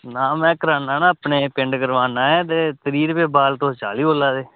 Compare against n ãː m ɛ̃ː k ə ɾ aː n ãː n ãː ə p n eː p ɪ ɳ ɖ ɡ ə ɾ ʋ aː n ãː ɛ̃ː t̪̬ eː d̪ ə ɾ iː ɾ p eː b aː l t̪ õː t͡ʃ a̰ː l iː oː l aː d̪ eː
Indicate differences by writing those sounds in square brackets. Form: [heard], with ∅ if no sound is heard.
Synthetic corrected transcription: n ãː m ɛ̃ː k ə ɾ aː n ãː n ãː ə p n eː p ɪ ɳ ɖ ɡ ə ɾ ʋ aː n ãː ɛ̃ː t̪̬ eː [t̪] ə ɾ iː ɾ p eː b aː l t̪ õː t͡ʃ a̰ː l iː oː l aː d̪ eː